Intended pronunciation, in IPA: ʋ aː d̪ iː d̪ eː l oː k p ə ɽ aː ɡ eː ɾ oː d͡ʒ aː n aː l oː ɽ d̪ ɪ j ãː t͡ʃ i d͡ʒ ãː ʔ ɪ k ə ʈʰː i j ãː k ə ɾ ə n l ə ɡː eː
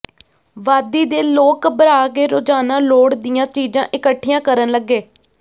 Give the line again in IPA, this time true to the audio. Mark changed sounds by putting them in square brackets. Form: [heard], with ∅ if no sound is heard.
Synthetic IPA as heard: ʋ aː d̪ iː d̪ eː l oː k [b] ə [ɾ] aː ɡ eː ɾ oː d͡ʒ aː n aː l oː ɽ d̪ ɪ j ãː t͡ʃ [iː] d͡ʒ ãː ʔ ɪ k ə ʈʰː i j ãː k ə ɾ ə n l ə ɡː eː